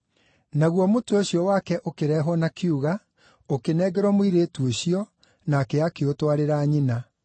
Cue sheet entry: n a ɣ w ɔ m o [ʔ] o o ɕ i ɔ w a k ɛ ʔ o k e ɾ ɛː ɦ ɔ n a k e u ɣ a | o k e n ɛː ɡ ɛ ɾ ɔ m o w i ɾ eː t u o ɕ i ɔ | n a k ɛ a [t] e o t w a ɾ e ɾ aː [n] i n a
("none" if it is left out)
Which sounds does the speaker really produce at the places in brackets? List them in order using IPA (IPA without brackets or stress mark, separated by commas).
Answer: t, k, ɲ